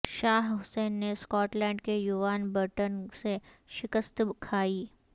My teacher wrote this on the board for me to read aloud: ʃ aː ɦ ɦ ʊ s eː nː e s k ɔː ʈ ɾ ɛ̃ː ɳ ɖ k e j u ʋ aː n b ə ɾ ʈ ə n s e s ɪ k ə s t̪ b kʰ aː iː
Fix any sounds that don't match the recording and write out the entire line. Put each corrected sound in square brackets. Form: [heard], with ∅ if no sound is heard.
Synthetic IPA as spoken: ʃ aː ɦ ɦ ʊ s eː nː e s k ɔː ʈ [l] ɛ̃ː ɳ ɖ k e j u ʋ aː n b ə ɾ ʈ ə n s e [ʃ] ɪ k ə s t̪ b kʰ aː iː